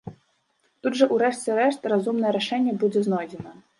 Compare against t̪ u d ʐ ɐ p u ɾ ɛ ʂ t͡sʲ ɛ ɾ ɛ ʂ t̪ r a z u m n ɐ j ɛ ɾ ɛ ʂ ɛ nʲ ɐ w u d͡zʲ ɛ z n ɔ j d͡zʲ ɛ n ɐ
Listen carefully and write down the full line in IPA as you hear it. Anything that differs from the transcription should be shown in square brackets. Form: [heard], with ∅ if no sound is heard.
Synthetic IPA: t̪ u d ʐ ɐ [ʔ] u ɾ ɛ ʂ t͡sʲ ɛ ɾ ɛ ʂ t̪ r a z u m n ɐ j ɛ ɾ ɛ ʂ ɛ [nʲː] ɐ [b] u d͡zʲ ɛ z n ɔ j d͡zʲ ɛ n ɐ